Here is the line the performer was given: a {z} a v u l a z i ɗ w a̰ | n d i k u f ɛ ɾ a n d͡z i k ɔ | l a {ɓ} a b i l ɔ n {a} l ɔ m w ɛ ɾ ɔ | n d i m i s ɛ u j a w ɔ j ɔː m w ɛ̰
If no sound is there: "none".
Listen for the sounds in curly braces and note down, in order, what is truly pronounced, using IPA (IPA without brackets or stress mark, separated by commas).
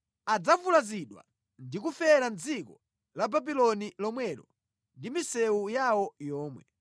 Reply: d͡z, b, i